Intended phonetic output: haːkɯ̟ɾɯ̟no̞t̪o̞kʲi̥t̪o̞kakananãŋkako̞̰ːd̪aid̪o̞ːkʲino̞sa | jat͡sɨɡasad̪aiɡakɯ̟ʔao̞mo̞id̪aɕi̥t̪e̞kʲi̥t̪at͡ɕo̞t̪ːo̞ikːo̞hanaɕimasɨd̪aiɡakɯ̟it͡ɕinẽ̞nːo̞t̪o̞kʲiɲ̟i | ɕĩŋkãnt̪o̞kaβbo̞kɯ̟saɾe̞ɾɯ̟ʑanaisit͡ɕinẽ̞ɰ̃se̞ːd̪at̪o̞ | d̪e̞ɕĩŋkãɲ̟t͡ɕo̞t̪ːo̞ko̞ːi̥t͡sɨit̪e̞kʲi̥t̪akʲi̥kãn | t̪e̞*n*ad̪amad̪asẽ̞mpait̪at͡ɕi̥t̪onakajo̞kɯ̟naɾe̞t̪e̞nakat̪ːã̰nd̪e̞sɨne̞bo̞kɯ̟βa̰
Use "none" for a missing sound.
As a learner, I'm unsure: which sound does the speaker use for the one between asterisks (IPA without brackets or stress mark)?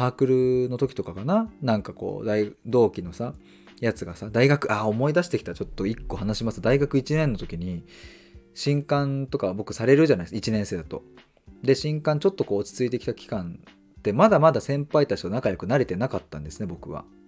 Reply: m